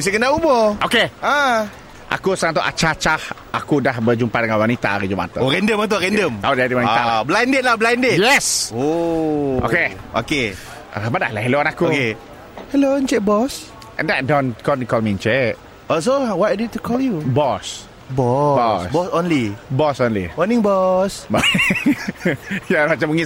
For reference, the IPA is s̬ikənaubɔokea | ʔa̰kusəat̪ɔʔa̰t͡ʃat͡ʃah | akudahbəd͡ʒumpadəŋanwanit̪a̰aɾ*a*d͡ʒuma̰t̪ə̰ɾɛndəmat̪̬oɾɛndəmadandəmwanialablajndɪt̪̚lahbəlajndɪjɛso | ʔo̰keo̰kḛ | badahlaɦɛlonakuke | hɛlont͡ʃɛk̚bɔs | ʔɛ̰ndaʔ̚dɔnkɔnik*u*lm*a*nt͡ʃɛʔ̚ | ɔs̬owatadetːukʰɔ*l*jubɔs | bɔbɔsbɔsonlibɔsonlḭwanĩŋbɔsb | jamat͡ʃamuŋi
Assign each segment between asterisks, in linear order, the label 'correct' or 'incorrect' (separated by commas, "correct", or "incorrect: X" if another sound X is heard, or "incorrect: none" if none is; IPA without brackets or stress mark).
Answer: incorrect: i, incorrect: ɔ, incorrect: i, correct